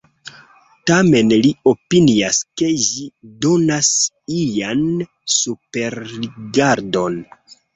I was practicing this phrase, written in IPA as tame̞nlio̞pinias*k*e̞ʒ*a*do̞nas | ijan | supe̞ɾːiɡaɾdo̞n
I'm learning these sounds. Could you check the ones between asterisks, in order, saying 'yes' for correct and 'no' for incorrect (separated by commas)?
yes, no